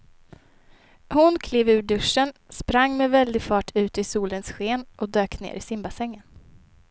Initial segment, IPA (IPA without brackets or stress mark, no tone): h